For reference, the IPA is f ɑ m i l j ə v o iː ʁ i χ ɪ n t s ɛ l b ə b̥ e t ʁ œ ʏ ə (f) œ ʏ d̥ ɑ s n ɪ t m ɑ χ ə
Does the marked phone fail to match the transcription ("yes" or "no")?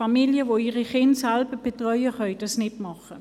yes